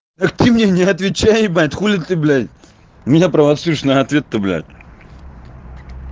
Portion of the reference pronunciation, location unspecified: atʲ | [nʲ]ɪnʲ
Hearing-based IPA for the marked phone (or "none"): mʲ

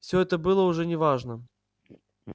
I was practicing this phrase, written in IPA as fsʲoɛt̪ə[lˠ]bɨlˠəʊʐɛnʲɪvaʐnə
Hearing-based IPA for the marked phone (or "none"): none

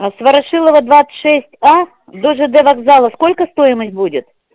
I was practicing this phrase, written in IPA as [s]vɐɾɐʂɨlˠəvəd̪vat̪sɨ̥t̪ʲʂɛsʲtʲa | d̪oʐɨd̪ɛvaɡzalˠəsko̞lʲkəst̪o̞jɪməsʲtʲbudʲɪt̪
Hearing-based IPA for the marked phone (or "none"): s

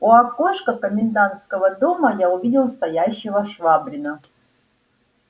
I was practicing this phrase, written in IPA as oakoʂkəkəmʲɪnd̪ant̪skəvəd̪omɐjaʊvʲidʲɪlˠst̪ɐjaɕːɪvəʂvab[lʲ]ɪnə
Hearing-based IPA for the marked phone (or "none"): ɾʲ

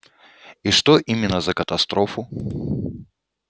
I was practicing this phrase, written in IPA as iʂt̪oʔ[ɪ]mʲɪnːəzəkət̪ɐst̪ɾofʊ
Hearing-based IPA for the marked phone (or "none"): i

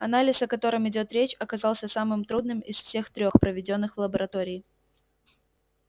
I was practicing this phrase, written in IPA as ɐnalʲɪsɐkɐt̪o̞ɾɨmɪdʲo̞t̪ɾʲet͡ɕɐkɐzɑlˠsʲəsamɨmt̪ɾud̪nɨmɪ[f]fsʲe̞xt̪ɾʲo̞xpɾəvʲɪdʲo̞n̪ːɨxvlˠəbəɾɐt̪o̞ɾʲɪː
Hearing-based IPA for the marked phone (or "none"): s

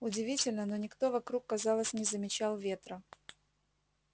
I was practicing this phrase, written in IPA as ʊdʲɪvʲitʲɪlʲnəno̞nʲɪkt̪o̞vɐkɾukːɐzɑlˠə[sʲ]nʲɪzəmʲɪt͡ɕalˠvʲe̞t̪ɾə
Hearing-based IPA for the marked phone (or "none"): sʲ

